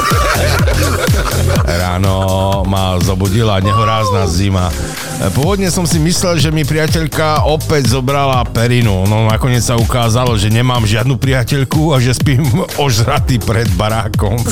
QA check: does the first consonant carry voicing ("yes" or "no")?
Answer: yes